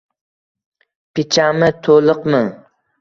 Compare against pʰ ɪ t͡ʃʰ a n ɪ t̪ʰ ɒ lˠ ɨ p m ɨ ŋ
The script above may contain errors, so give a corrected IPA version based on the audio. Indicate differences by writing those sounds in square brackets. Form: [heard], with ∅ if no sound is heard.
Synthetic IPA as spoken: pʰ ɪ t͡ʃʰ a [m] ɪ t̪ʰ [o] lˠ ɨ [q] m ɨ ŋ